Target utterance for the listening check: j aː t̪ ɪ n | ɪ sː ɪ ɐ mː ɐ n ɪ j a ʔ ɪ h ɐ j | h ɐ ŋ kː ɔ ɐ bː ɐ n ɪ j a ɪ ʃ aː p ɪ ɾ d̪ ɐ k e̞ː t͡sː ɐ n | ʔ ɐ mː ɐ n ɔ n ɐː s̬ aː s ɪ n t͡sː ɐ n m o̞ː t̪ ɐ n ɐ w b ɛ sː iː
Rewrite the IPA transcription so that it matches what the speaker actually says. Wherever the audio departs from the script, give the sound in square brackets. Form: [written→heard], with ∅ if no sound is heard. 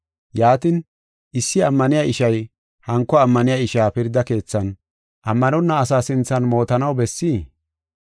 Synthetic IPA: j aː t̪ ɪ n | ɪ sː ɪ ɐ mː ɐ n ɪ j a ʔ ɪ [h→ʃ] ɐ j | h ɐ ŋ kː ɔ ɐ [bː→mː] ɐ n ɪ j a ɪ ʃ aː p ɪ ɾ d̪ ɐ k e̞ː t͡sː ɐ n | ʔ ɐ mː ɐ n ɔ [n→nː] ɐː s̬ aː s ɪ n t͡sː ɐ n m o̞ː t̪ ɐ n ɐ w b ɛ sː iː